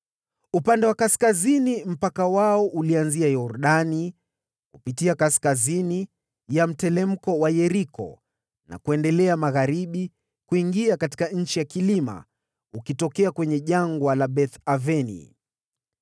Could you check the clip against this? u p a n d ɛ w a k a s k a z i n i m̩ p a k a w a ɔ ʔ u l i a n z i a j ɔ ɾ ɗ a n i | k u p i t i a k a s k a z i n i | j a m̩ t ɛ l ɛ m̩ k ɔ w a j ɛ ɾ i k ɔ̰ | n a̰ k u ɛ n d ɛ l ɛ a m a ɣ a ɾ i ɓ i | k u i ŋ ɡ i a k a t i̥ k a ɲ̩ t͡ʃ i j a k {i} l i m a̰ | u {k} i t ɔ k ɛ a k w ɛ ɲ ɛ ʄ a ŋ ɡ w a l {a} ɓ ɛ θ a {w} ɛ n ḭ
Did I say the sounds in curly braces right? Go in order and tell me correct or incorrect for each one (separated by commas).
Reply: correct, correct, correct, incorrect